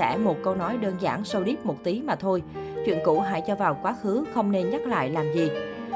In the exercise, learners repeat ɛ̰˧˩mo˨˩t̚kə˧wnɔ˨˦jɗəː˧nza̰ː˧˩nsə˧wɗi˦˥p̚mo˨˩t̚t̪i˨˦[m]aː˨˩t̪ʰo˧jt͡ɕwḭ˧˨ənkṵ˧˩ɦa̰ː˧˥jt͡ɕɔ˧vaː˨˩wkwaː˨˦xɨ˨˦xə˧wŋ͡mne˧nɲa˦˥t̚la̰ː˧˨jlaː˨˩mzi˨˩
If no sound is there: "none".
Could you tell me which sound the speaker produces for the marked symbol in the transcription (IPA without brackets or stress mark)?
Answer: m